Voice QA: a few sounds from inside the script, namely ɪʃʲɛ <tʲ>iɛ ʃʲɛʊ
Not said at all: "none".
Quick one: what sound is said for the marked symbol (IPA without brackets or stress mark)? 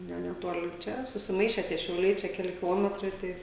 tʲ